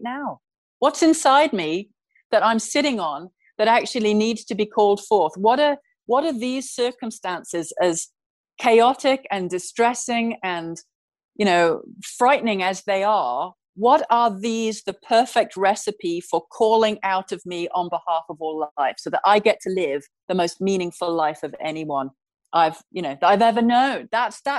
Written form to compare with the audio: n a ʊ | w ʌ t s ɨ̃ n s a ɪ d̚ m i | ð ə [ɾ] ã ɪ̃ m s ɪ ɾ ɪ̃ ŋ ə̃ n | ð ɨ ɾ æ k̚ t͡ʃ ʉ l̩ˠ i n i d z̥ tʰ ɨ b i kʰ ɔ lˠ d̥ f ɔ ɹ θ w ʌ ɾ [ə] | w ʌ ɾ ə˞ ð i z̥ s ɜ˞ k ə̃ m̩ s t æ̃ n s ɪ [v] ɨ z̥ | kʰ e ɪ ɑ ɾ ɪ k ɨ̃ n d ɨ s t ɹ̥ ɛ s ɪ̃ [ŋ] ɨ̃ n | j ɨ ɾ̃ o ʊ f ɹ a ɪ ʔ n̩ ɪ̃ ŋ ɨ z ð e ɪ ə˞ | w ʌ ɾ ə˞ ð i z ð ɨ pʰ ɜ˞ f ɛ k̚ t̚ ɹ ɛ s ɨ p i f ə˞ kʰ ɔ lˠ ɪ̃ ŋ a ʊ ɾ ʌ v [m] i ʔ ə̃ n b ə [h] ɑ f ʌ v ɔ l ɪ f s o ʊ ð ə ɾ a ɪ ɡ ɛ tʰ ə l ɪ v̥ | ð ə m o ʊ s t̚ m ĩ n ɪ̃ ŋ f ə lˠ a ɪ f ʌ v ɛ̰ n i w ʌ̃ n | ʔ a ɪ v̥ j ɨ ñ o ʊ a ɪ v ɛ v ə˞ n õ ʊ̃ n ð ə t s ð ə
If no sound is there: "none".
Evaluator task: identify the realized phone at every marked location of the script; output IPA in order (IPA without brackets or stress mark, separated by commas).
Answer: ɾ, ə, z, ŋ, m, h